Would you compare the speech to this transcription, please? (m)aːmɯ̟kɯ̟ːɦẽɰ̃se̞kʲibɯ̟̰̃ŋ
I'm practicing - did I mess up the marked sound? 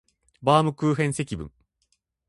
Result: yes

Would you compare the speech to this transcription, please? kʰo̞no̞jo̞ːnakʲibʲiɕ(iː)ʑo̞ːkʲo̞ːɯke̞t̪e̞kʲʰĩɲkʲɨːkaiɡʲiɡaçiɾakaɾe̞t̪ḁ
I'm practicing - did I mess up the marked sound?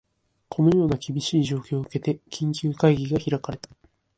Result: no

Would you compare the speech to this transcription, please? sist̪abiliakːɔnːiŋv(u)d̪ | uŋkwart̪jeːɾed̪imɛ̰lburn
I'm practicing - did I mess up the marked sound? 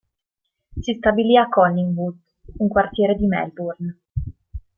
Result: no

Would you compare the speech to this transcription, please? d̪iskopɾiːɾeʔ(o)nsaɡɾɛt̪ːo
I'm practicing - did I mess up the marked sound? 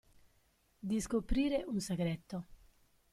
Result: yes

